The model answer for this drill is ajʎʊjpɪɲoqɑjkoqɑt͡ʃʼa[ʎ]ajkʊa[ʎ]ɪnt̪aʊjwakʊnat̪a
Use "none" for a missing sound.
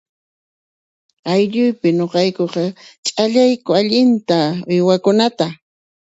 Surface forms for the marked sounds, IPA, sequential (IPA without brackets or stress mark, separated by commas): ʎ, ʎ